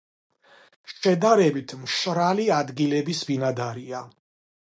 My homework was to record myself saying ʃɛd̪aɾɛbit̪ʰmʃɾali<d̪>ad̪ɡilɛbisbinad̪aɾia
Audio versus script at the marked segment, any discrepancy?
yes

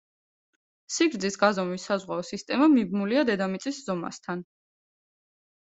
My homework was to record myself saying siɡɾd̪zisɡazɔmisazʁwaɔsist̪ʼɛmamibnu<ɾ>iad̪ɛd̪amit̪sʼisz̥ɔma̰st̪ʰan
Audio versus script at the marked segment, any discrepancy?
yes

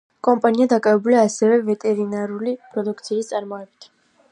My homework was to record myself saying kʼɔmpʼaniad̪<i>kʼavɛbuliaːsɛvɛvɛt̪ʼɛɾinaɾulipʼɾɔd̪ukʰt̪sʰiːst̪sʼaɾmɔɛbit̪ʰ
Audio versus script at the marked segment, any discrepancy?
yes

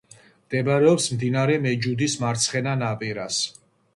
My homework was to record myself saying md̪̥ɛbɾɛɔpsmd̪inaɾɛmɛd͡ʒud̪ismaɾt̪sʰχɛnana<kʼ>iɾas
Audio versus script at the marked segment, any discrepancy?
yes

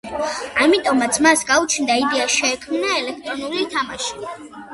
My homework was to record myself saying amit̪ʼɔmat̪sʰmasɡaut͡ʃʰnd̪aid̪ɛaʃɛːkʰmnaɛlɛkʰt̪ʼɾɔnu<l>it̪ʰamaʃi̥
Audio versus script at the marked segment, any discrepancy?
no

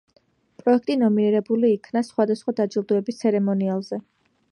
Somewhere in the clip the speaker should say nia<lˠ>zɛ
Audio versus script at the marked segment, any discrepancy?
no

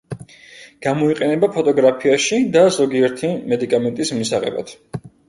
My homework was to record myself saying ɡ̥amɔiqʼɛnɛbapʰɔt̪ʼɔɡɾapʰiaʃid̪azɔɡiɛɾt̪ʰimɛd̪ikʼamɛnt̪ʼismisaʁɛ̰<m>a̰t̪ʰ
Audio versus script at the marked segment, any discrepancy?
yes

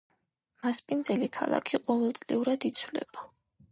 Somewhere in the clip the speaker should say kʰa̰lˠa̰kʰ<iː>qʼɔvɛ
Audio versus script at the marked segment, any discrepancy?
yes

